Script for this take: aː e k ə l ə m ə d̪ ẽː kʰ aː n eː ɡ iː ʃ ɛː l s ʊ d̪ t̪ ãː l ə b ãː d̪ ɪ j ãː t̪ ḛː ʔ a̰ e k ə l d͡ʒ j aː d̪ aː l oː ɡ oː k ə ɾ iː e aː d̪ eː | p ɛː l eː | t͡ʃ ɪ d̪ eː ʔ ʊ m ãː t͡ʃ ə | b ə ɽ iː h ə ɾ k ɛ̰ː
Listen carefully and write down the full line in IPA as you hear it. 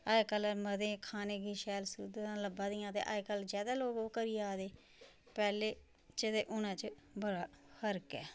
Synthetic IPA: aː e k ə l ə m ə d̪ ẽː kʰ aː n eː ɡ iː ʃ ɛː l s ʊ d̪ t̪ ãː l ə b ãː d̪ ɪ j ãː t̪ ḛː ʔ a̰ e k ə l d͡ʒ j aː d̪ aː l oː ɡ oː k ə ɾ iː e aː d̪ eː | p ɛː l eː | t͡ʃ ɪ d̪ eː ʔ ʊ n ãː t͡ʃ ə | b ə ɽ aː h ə ɾ k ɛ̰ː